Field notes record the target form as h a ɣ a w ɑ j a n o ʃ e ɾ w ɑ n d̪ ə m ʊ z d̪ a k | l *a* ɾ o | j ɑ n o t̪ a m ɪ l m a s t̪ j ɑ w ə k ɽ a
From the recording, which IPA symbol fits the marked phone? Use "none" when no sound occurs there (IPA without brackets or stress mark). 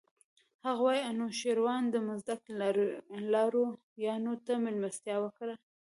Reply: ɑ